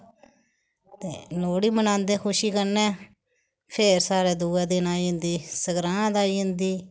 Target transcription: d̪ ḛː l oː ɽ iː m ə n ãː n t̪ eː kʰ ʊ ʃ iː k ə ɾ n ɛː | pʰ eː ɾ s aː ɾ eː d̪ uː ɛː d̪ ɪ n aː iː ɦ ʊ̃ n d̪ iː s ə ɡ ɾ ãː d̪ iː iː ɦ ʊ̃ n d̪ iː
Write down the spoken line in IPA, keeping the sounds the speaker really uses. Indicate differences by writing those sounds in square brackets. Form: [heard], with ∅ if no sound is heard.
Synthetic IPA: [t̪] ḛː l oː ɽ iː m ə n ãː n [d̪] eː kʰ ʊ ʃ iː k ə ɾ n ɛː | pʰ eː ɾ s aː ɾ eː d̪ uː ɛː d̪ ɪ n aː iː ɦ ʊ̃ n d̪ iː s ə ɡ ɾ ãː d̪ [aː] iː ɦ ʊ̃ n d̪ iː